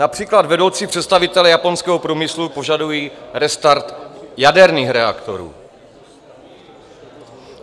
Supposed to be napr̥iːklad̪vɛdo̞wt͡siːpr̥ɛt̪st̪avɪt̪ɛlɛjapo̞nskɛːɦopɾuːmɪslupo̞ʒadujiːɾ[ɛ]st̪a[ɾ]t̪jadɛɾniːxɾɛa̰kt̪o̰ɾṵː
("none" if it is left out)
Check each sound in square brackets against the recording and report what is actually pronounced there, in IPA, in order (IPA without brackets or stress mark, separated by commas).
ɛ, ɾ